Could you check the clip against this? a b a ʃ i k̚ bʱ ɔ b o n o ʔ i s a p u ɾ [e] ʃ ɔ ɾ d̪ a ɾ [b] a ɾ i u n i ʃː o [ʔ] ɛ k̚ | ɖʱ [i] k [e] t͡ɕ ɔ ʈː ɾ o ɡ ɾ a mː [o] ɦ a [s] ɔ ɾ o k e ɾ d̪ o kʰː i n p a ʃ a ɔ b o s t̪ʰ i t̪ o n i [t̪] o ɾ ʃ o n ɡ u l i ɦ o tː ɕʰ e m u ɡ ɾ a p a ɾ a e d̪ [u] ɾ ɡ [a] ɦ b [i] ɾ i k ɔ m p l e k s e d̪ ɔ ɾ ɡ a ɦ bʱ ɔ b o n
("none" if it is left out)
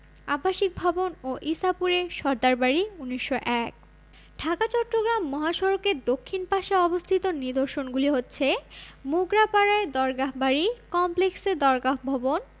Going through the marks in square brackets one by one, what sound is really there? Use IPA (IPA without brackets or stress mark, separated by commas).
e, b, ʔ, a, a, ɔ, ʃ, d̪, ɔ, a, a